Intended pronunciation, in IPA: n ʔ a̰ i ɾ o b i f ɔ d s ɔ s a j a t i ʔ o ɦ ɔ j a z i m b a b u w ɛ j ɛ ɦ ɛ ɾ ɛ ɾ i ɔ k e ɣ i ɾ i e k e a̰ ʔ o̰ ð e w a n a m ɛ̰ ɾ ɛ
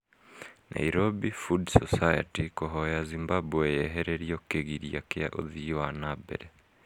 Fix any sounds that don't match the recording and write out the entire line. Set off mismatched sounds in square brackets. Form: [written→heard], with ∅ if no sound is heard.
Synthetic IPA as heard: n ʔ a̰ i ɾ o b i f [ɔ→u] d s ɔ s a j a t i [ʔ→k] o ɦ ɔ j a z i m b a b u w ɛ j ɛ ɦ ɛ ɾ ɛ ɾ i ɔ k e ɣ i ɾ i [e→a] k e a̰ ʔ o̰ ð [e→i] w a n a [m→b] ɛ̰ ɾ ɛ